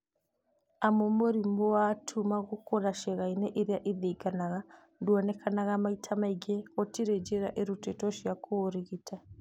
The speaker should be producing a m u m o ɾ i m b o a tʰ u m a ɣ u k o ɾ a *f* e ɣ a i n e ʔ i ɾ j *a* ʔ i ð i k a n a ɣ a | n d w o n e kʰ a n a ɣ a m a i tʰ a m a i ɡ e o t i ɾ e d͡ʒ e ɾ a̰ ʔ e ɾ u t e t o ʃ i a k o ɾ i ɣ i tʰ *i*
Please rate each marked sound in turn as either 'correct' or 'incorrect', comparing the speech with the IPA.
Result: incorrect: ʃ, correct, incorrect: a

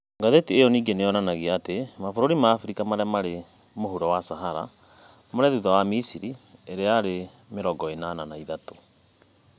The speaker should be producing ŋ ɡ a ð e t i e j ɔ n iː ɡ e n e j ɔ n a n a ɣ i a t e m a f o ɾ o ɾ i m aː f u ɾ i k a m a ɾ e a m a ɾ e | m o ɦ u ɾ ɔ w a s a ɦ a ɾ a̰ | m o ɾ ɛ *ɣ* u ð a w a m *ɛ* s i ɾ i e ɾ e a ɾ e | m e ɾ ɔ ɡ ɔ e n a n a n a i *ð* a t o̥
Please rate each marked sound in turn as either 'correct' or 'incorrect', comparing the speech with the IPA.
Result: incorrect: ð, incorrect: i, correct

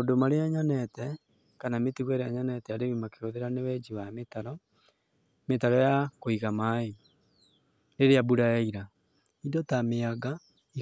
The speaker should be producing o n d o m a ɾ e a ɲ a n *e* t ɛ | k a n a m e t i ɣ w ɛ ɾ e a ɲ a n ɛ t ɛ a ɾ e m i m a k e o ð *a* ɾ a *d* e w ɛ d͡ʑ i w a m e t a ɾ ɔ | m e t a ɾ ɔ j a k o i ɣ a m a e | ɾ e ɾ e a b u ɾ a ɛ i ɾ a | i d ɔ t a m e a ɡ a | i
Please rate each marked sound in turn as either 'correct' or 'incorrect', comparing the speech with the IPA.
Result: incorrect: ɛ, incorrect: e, incorrect: n

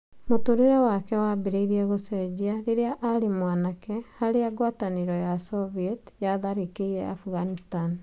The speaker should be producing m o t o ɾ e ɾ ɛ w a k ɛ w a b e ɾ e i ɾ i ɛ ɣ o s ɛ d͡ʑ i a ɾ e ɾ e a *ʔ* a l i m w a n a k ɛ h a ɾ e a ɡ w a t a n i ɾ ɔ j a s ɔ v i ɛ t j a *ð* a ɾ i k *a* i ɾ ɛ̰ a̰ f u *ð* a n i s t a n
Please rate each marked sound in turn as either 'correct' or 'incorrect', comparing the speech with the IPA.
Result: correct, correct, incorrect: e, incorrect: ɣ

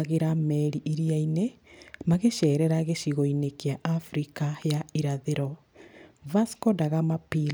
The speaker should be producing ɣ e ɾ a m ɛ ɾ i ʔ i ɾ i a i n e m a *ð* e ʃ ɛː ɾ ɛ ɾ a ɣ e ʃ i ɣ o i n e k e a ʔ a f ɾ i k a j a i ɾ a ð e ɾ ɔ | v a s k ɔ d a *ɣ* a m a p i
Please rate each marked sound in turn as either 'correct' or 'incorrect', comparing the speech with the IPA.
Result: incorrect: ɣ, correct

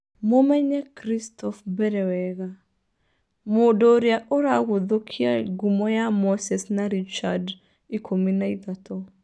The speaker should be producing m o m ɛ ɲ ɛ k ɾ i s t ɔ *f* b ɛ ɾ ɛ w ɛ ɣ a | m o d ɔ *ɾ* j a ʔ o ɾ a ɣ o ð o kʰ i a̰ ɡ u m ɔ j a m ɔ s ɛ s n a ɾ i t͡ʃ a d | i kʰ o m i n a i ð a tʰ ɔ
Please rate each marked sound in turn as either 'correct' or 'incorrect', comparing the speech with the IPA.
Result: correct, correct

